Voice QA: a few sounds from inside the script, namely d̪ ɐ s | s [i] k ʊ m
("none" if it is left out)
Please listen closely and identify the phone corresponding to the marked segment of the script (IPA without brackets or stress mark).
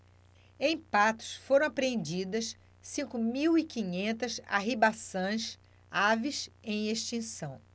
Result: ĩ